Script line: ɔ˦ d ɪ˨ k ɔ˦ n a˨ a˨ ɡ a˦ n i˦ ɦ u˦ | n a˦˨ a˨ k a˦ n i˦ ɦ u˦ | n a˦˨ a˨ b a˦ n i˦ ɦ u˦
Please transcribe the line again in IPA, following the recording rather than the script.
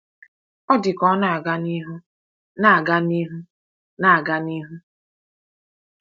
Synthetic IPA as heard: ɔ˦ d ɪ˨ k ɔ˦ n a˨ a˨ ɡ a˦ n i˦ ɦ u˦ | n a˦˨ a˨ ɡ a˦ n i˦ ɦ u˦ | n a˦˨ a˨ ɡ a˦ n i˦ ɦ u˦